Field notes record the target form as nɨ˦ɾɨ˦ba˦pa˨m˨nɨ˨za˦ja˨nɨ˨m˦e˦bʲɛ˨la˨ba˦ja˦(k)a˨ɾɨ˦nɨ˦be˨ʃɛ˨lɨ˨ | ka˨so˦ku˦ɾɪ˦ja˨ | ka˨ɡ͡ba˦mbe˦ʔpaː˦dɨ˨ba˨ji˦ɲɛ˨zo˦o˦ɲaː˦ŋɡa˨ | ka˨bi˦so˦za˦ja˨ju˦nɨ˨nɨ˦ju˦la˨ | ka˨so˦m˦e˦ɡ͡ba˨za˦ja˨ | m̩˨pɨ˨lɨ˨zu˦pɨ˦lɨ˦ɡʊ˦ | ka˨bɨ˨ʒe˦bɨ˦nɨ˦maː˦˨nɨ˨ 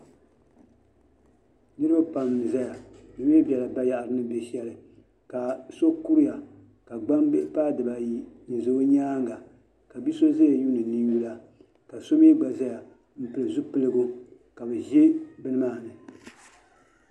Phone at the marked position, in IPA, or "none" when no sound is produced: ʔ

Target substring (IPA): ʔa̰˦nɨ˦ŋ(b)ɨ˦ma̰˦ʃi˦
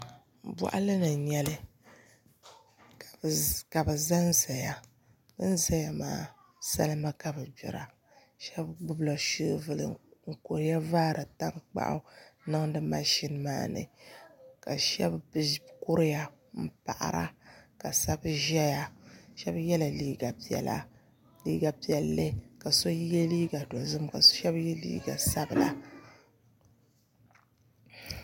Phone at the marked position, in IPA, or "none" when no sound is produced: d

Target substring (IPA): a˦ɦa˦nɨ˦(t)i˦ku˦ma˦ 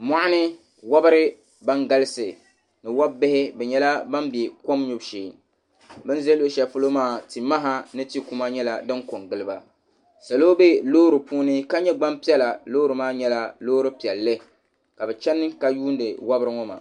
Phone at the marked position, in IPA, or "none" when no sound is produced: t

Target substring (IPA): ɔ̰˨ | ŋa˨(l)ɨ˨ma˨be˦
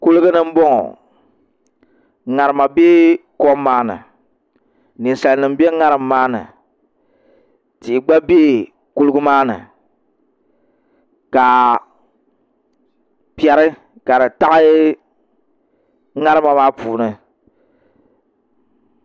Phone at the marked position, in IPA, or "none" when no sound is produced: ɾ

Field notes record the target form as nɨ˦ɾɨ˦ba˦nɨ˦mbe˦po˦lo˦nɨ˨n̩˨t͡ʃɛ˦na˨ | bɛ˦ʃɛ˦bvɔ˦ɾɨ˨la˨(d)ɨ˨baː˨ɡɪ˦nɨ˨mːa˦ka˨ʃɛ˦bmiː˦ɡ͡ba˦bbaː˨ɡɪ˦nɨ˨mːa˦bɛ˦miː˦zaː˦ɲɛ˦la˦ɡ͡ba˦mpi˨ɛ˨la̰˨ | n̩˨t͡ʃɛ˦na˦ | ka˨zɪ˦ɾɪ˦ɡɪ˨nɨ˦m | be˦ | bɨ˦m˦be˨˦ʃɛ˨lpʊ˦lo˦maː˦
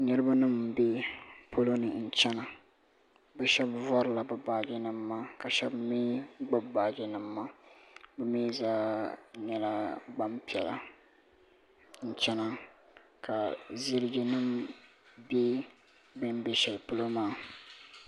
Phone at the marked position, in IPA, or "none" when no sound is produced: b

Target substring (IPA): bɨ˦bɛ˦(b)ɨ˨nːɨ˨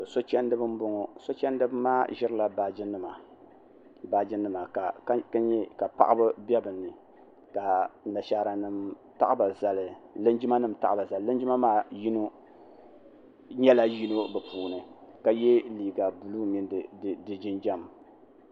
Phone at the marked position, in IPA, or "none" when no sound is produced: b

